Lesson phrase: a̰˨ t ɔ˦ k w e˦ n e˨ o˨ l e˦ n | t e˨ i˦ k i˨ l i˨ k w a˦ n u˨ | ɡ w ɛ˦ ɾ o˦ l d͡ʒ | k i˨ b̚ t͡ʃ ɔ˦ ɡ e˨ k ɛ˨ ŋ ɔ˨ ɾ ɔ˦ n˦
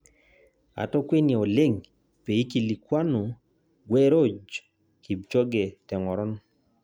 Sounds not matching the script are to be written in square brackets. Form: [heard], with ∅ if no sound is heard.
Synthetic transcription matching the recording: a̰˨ t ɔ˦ k w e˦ n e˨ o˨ l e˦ [ŋ] | [p] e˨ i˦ k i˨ l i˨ k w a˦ n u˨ | ɡ w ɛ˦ ɾ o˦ [∅] d͡ʒ | k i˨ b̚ t͡ʃ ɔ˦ ɡ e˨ [t] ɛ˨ ŋ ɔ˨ ɾ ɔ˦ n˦

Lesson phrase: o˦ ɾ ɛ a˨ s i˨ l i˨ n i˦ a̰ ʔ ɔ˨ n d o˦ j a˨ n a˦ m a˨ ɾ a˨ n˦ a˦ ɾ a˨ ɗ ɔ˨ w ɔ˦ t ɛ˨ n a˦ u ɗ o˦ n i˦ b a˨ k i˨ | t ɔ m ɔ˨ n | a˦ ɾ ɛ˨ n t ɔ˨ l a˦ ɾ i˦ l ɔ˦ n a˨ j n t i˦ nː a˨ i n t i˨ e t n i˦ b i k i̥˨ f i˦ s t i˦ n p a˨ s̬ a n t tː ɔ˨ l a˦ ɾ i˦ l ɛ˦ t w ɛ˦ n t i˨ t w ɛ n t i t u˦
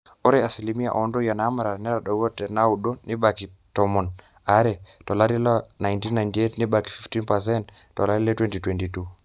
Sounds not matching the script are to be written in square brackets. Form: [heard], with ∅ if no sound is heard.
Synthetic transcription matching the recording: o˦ ɾ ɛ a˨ s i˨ l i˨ [m] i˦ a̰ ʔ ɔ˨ n d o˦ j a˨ n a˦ m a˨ ɾ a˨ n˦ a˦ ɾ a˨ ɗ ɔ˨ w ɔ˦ t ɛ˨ n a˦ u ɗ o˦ n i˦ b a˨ k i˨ | t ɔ m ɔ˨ n | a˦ ɾ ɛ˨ [∅] t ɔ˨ l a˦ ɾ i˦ l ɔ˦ n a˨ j n t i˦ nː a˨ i n t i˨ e t n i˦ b [a] k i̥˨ f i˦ [f] t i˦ n p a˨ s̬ [ɛ] n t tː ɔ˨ l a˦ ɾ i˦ l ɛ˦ t w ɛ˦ n t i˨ t w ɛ n t i t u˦

